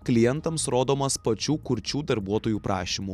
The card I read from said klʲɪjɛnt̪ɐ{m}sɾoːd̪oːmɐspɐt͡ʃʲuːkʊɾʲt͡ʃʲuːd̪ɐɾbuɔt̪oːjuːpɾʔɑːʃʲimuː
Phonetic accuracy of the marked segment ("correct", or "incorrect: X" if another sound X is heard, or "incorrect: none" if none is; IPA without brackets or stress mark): correct